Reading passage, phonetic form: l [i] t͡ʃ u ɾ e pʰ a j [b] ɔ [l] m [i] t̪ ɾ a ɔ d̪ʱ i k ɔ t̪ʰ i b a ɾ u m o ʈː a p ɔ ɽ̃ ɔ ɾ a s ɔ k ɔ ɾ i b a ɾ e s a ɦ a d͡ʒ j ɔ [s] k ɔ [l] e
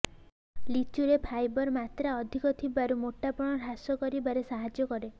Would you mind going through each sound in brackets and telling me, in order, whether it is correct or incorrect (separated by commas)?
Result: correct, correct, incorrect, incorrect, incorrect, incorrect